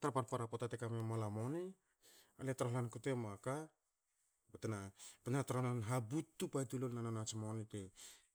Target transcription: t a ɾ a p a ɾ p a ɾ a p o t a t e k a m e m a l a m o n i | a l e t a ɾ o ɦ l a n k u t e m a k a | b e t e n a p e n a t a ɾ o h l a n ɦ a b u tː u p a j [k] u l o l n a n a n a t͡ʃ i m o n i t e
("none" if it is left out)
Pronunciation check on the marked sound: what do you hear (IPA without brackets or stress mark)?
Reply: t